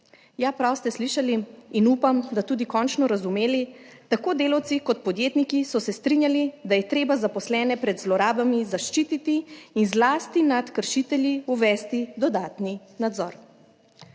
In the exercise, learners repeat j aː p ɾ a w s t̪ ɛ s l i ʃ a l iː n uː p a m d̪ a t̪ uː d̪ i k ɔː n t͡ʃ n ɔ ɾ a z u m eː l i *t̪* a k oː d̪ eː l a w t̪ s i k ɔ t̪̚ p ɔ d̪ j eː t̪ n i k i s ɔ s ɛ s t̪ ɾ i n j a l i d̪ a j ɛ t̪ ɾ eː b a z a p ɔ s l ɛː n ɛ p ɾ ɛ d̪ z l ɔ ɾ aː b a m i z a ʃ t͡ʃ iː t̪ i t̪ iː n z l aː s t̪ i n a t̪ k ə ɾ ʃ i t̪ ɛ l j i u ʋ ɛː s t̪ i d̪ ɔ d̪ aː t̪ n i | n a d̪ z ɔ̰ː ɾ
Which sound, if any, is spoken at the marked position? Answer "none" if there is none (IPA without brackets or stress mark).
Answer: t̪